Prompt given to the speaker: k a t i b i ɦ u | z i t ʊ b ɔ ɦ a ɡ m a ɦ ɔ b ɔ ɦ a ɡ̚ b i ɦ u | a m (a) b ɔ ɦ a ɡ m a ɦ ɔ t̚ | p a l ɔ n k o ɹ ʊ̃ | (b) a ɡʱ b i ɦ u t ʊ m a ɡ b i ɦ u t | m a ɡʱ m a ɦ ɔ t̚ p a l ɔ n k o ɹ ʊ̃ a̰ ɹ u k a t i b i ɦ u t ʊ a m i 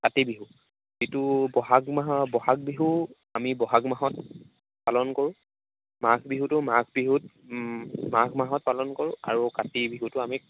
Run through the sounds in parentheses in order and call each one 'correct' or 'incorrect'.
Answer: incorrect: i, incorrect: m

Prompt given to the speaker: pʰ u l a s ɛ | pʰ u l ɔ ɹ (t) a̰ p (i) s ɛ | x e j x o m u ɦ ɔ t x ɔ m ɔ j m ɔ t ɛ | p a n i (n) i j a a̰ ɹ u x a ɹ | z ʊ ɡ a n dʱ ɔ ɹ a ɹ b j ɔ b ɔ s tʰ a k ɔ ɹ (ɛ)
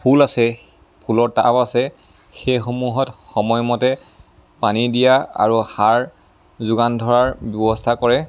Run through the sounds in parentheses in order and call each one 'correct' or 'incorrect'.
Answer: correct, incorrect: a, incorrect: d, correct

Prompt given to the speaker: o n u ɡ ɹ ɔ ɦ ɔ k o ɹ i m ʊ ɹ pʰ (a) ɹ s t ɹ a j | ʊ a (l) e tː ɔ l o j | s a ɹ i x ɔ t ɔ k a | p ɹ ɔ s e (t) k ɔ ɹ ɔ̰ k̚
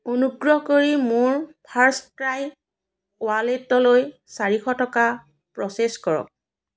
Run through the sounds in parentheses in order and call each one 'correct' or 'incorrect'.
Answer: correct, correct, incorrect: s

